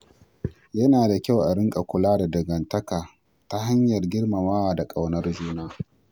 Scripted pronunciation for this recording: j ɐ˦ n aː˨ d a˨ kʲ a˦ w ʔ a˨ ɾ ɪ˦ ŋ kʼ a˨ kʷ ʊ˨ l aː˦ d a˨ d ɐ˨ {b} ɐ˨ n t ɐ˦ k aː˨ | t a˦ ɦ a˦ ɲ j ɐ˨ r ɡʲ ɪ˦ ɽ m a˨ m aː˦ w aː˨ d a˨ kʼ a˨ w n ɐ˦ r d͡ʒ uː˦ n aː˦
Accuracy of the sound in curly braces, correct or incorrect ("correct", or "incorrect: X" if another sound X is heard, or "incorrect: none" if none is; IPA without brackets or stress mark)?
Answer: incorrect: ɡ